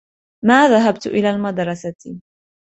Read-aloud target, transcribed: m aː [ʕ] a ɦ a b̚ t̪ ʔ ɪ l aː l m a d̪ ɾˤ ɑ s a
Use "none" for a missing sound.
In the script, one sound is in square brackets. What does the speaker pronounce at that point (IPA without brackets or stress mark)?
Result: ð